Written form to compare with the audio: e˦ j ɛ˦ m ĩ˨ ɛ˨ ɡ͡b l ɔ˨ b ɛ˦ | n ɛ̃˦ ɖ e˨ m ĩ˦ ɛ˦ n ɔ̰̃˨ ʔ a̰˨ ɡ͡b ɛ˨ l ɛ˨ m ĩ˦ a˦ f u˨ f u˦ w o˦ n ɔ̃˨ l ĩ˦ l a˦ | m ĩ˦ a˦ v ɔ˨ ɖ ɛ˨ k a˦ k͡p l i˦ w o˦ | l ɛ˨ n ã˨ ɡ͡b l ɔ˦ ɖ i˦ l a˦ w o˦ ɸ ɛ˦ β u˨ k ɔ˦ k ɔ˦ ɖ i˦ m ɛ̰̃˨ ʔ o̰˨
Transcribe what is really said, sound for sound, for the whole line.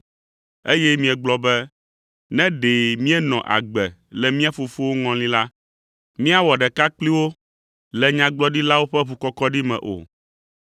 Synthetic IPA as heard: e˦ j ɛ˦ m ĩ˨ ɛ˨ ɡ͡b l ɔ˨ b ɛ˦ | n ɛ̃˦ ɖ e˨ m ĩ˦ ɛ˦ n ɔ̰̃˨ ʔ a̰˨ ɡ͡b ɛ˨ l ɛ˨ m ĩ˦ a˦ f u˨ f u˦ w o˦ ŋ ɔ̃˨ l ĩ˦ l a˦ | m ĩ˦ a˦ w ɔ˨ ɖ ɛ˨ k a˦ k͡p l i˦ w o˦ | l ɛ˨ ɲ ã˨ ɡ͡b l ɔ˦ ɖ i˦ l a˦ w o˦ ɸ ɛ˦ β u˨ k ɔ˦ k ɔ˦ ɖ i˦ m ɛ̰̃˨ ʔ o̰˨